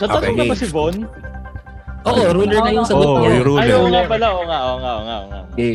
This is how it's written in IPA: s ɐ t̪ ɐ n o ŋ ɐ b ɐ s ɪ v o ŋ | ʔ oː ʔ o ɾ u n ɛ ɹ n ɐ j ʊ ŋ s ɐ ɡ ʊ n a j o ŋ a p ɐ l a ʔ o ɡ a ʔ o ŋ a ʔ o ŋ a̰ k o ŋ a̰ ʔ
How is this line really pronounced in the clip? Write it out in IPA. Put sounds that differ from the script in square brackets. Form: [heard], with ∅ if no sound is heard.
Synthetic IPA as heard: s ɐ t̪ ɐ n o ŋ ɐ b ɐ s ɪ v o [n] | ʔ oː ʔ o ɾ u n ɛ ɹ n ɐ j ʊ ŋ s ɐ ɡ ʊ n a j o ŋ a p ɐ l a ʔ o [ŋ] a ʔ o ŋ a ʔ o ŋ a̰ [ʔ] o ŋ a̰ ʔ